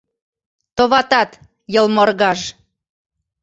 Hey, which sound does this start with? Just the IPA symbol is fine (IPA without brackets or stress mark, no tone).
t̪